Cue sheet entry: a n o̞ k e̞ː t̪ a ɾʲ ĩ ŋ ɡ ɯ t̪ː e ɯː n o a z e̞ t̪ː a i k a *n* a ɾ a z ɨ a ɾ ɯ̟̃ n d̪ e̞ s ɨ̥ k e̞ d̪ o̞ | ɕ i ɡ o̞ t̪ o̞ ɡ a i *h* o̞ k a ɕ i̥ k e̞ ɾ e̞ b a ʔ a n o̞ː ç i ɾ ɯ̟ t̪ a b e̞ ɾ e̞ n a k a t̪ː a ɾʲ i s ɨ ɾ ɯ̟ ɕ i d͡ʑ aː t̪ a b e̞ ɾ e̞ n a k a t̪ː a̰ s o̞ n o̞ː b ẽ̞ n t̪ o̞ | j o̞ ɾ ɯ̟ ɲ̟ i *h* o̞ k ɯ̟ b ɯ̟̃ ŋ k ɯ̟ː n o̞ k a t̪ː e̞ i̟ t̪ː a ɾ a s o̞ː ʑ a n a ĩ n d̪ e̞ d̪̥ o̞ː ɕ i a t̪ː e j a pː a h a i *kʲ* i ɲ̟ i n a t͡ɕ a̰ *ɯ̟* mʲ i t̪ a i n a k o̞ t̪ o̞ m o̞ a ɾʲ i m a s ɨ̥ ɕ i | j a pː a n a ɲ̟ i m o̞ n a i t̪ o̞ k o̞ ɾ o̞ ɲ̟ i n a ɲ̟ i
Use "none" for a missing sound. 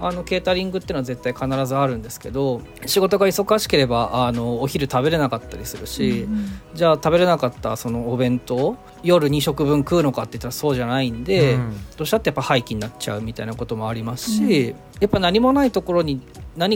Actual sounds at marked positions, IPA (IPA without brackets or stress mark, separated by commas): n, s, ɕ, kʲ, ɯ̟